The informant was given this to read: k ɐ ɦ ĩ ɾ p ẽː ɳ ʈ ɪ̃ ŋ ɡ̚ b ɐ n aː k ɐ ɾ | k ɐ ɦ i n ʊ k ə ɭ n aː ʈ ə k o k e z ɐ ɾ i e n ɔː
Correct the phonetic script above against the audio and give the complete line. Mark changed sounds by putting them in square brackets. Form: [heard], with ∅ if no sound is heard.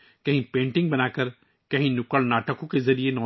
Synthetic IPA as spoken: k ɐ ɦ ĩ [∅] p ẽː ɳ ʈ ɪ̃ ŋ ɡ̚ b ɐ n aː k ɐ ɾ | k ɐ ɦ [ĩ] n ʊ k ə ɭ n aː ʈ ə k [õ] k e z ɐ ɾ i e n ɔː